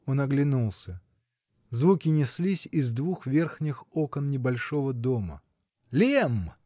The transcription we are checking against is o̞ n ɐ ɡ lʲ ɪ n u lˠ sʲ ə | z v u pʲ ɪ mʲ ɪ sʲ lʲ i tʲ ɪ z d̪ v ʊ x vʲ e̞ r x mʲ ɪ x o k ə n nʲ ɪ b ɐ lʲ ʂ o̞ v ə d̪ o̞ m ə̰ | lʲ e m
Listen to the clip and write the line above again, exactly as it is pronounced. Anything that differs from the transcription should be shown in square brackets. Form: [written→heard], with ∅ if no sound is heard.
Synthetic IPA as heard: o̞ n ɐ ɡ lʲ ɪ n u lˠ sʲ ə | z v u [pʲ→kʲ] ɪ [mʲ→nʲ] ɪ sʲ lʲ i [tʲ→sʲ] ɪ z d̪ v [ʊ→u] x vʲ e̞ r x [mʲ→nʲ] ɪ x o k ə n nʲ ɪ b ɐ lʲ ʂ o̞ v ə d̪ o̞ m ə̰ | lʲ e m

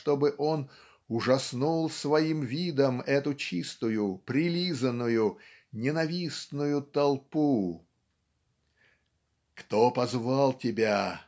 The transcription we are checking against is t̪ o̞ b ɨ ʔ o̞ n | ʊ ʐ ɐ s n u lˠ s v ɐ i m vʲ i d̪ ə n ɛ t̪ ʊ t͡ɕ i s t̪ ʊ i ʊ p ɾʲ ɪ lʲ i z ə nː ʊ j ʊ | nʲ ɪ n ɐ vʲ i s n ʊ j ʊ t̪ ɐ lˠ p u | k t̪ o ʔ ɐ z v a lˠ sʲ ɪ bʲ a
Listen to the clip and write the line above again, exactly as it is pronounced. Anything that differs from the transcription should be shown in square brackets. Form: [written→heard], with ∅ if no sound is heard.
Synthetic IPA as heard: t̪ o̞ b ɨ ʔ o̞ n | ʊ ʐ ɐ s n u lˠ s v ɐ i m vʲ i d̪ ə [n→m] ɛ t̪ ʊ t͡ɕ i s t̪ ʊ [i→j] ʊ p ɾʲ ɪ lʲ i z ə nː ʊ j ʊ | nʲ ɪ n ɐ vʲ i s n ʊ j ʊ t̪ ɐ lˠ p u | k t̪ o [ʔ→p] ɐ z v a lˠ [sʲ→tʲ] ɪ bʲ a

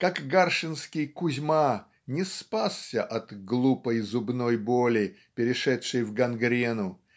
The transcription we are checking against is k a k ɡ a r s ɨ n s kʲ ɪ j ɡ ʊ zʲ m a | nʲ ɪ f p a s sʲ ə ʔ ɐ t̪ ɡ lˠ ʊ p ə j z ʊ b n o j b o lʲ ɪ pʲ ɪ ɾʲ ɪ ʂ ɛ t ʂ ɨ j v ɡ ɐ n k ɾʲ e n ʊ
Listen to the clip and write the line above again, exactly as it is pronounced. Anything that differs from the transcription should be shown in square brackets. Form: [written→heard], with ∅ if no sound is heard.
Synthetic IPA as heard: k a k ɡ a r [s→ʂ] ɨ n s kʲ ɪ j [ɡ→k] ʊ zʲ m a | nʲ ɪ [f→s] p a s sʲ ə ʔ ɐ t̪ ɡ lˠ [ʊ→u] p ə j z ʊ b n o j b o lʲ ɪ pʲ ɪ ɾʲ ɪ ʂ ɛ t ʂ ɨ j v ɡ ɐ n [k→ɡ] ɾʲ e n ʊ

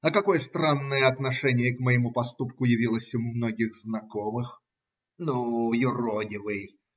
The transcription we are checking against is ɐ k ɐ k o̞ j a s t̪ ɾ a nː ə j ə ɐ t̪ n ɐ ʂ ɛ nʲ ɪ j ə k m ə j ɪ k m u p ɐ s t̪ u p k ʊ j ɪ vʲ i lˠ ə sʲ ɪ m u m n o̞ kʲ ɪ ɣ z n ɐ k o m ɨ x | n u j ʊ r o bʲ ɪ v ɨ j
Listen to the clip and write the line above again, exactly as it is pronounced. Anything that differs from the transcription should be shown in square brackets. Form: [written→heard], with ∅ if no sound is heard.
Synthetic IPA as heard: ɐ k ɐ k o̞ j [a→ə] s t̪ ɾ a nː ə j ə ɐ t̪ n ɐ ʂ ɛ nʲ ɪ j ə k m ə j ɪ [k→∅] m u p ɐ s t̪ u p k ʊ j ɪ vʲ i lˠ ə sʲ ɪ m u m n o̞ [kʲ→ɡʲ] ɪ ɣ z n ɐ k o m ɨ x | n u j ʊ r o [bʲ→dʲ] ɪ v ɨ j

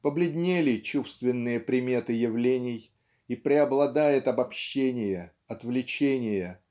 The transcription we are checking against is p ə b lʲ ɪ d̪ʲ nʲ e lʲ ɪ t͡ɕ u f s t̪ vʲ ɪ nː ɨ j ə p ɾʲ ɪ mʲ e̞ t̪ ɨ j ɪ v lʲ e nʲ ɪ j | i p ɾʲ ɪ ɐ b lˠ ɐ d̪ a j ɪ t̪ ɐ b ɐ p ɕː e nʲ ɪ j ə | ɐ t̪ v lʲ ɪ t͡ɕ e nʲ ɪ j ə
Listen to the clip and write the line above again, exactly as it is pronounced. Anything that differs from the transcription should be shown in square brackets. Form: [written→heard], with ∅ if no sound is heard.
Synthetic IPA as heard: p ə b lʲ ɪ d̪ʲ nʲ e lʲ ɪ t͡ɕ u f s t̪ vʲ ɪ nː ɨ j ə p ɾʲ ɪ mʲ e̞ t̪ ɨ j ɪ v lʲ e nʲ ɪ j | i p ɾʲ ɪ ɐ b lˠ ɐ d̪ a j ɪ t̪ ɐ b ɐ p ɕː e nʲ ɪ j ə | ɐ t̪ v lʲ ɪ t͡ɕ e nʲ ɪ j ə

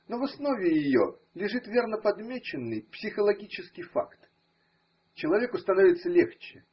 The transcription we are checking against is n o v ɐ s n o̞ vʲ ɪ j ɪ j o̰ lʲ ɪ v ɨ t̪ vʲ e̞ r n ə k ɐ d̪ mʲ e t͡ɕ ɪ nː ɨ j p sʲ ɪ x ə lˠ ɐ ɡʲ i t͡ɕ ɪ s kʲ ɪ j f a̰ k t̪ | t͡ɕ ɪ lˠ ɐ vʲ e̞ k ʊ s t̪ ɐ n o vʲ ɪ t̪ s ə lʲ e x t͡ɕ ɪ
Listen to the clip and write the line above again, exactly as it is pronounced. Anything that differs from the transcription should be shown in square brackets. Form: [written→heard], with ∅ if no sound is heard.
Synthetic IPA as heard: n o v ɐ s n o̞ vʲ ɪ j ɪ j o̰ lʲ ɪ [v→ʐ] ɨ t̪ vʲ e̞ r n ə [k→p] ɐ d̪ mʲ e t͡ɕ ɪ nː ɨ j p sʲ ɪ x ə lˠ ɐ ɡʲ i t͡ɕ ɪ s kʲ ɪ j f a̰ k t̪ | t͡ɕ ɪ lˠ ɐ vʲ e̞ k ʊ s t̪ ɐ n o vʲ ɪ t̪ s ə lʲ e x t͡ɕ ɪ

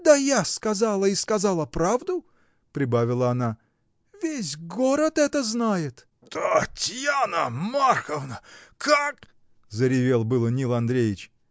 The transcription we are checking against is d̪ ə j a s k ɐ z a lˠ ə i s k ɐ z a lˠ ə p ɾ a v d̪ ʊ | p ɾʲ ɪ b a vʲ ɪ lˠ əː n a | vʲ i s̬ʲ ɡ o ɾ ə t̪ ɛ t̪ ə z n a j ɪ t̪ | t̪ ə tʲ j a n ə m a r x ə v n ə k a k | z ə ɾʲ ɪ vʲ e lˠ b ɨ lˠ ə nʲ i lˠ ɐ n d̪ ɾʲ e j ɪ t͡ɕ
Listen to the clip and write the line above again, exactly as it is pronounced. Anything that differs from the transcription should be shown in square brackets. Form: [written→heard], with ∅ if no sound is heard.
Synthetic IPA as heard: d̪ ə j a s k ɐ z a lˠ ə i s k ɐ z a lˠ ə p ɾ a v d̪ ʊ | p ɾʲ ɪ b a vʲ ɪ lˠ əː n a | vʲ [i→e] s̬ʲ ɡ o ɾ ə t̪ ɛ t̪ ə z n a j ɪ t̪ | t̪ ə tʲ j a n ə m a r x ə v n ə k a k | z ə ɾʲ ɪ vʲ e lˠ b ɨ lˠ ə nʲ i lˠ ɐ n d̪ ɾʲ e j ɪ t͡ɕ

